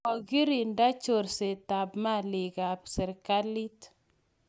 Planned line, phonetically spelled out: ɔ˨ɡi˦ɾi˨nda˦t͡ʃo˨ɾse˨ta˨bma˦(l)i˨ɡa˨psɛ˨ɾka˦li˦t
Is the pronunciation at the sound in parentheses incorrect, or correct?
correct